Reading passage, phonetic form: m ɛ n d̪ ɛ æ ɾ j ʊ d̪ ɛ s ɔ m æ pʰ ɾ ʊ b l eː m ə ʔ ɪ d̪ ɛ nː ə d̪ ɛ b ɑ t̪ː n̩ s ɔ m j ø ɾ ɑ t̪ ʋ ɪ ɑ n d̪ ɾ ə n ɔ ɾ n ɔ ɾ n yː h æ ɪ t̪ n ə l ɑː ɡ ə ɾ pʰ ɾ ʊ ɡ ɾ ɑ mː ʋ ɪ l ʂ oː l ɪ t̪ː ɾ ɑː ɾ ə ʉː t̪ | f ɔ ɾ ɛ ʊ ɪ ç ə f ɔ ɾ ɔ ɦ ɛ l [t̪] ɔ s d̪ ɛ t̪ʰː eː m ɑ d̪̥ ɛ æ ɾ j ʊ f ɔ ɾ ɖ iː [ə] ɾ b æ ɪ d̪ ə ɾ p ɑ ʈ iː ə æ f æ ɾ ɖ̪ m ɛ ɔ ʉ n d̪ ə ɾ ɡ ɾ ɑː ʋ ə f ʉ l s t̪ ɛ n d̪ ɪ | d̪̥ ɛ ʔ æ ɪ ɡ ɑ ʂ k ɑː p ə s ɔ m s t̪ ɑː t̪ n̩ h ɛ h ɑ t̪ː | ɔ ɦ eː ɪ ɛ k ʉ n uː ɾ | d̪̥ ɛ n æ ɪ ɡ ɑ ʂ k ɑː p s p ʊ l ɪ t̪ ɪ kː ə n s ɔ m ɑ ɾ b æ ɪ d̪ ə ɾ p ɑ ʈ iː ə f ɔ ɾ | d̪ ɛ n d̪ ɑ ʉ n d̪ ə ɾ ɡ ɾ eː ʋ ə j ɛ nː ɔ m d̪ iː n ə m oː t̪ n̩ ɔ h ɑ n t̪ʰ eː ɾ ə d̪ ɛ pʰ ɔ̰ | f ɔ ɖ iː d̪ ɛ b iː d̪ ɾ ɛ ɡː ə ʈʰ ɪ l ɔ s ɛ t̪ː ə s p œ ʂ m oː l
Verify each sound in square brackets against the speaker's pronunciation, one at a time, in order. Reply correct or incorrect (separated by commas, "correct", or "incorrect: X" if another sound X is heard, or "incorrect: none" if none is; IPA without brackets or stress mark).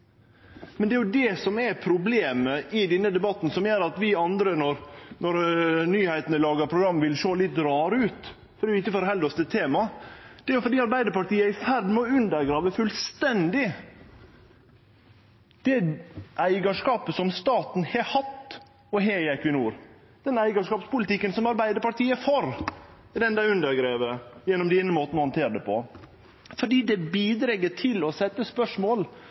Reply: incorrect: d̪, incorrect: ɑ